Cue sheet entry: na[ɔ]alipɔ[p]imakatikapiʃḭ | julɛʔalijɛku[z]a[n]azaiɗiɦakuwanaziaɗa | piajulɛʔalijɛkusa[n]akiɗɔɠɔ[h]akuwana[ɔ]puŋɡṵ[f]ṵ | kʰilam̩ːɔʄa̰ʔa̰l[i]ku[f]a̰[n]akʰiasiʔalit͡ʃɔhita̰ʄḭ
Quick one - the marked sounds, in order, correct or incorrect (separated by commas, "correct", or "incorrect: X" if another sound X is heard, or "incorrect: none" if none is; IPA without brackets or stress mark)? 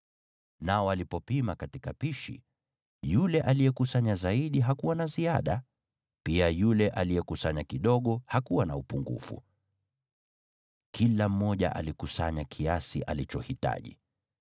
correct, correct, incorrect: s, incorrect: ɲ, incorrect: ɲ, correct, incorrect: u, correct, correct, incorrect: s, incorrect: ɲ